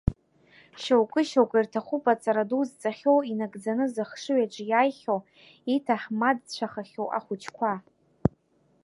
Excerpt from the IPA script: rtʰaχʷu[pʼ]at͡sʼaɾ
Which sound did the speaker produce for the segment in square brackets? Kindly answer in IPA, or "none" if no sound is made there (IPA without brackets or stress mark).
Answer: pʼ